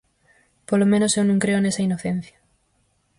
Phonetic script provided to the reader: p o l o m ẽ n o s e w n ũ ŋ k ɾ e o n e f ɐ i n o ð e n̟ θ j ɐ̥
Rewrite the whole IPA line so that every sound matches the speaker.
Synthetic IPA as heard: p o l o m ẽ n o s e w n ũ ŋ k ɾ e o n e s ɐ i n o θ e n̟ θ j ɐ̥